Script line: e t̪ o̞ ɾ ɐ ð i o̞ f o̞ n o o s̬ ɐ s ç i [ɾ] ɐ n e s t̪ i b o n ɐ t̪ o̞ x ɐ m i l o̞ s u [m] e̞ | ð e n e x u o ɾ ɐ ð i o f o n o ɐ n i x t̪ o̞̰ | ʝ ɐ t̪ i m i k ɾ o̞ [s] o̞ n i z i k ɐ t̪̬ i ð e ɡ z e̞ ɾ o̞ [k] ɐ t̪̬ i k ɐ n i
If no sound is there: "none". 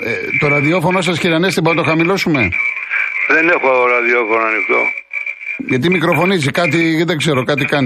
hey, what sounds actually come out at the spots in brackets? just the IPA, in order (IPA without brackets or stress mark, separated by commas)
ɾ, m, f, k